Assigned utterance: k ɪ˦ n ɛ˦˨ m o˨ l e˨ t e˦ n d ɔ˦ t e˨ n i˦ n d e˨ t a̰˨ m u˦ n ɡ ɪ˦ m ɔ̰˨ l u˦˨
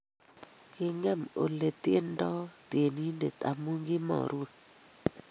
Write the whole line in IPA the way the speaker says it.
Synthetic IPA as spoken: k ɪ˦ ŋ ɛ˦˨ m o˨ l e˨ t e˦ n d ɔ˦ t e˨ n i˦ n d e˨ t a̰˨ m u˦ ŋ ɡ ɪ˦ m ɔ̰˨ ɾ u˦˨